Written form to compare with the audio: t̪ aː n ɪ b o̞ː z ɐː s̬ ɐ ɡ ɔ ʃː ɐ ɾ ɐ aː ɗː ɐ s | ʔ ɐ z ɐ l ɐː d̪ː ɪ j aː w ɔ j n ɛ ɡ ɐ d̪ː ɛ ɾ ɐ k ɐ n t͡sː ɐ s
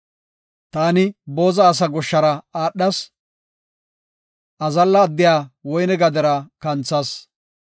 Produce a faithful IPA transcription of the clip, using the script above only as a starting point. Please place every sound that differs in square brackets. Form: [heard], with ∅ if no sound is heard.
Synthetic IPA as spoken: t̪ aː n ɪ b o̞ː z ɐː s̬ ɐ ɡ ɔ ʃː ɐ ɾ ɐ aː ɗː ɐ s | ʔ ɐ z ɐ [lː] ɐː d̪ː ɪ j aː w ɔ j n ɛ ɡ ɐ [d̪] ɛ ɾ ɐ k ɐ n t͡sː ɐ s